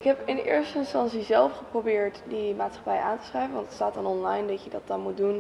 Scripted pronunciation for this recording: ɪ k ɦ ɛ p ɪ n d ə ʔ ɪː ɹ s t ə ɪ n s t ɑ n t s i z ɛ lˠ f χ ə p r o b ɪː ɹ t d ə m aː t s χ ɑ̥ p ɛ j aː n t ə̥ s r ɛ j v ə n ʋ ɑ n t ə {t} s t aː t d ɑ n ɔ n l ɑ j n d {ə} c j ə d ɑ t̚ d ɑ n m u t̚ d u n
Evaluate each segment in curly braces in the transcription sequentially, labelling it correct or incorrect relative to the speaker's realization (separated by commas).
correct, incorrect